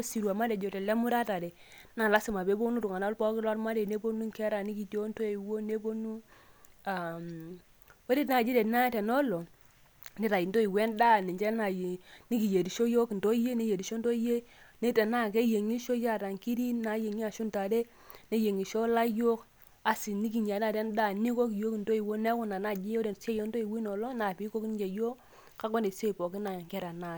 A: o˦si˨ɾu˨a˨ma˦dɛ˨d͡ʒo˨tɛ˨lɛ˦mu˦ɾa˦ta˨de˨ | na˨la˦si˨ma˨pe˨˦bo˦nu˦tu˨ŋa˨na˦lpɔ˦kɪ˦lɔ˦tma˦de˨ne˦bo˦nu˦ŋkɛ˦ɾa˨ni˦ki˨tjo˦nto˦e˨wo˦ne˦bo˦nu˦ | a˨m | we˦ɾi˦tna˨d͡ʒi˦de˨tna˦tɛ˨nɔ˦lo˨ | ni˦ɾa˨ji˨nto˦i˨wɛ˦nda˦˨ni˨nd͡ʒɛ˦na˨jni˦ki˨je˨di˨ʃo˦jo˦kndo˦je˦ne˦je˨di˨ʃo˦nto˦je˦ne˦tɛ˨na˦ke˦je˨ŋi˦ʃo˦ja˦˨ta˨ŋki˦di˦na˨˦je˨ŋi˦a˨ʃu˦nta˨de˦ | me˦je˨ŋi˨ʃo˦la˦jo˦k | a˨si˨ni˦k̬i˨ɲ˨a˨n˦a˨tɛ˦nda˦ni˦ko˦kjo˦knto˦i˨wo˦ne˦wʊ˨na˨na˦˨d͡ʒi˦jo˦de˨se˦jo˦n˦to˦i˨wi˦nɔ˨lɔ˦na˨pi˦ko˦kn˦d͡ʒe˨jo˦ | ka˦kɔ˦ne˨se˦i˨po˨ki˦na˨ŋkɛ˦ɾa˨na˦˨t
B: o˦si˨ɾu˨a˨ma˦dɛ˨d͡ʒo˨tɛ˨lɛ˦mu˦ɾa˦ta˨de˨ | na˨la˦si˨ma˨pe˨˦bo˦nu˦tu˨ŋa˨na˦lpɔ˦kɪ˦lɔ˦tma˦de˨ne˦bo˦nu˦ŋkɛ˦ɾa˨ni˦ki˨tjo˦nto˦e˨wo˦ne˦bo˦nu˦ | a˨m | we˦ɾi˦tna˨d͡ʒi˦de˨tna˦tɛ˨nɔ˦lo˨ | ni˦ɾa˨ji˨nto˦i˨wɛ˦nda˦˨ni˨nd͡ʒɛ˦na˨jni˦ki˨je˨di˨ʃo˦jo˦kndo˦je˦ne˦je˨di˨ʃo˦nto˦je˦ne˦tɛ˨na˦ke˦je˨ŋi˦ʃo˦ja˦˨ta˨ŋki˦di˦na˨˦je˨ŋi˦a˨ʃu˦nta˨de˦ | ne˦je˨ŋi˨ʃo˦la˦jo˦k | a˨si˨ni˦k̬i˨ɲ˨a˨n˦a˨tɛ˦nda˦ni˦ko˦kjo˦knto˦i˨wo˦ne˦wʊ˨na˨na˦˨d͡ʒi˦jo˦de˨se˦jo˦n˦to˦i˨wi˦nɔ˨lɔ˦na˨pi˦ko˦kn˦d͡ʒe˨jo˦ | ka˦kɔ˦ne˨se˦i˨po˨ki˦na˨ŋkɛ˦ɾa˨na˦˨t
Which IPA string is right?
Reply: B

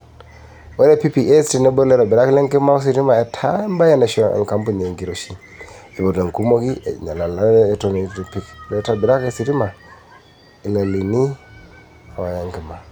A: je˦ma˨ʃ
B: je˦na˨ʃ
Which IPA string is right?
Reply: B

